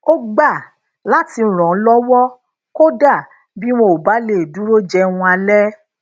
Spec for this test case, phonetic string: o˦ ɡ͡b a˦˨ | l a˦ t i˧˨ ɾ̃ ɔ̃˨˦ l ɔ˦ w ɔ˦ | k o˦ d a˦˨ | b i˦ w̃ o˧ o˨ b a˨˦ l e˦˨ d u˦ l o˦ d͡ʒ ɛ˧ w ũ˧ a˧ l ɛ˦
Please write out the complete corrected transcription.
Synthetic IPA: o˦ ɡ͡b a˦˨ | l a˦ t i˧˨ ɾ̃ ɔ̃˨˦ l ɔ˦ w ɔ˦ | k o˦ d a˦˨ | b i˦ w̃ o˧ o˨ b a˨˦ l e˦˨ d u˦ ɾ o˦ d͡ʒ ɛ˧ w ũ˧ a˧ l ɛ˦